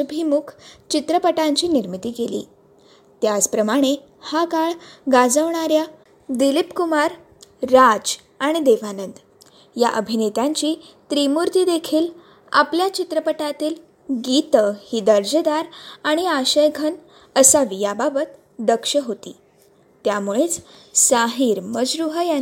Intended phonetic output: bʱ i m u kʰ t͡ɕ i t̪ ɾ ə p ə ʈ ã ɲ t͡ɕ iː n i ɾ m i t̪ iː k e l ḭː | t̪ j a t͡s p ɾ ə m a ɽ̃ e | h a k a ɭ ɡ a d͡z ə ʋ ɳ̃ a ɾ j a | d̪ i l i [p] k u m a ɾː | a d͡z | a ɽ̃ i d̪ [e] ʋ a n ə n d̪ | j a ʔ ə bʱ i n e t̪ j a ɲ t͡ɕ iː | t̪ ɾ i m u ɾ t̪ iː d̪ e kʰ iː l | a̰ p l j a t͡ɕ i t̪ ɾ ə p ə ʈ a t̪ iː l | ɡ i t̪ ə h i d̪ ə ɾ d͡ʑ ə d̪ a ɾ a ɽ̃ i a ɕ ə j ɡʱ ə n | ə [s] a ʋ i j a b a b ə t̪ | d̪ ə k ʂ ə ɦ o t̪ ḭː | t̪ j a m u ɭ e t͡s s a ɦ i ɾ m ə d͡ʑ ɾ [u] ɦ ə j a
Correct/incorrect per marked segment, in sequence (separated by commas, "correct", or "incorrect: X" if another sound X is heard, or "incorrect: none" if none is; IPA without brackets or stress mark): correct, correct, correct, correct